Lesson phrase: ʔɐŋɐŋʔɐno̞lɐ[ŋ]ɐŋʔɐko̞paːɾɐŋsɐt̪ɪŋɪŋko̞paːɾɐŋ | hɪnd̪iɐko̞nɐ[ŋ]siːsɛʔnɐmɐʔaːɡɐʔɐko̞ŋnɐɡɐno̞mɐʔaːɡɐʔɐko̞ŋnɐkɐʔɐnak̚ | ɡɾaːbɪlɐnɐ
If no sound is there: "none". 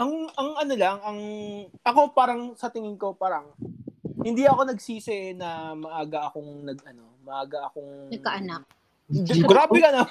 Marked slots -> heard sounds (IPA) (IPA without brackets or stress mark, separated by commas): ŋ, ɡ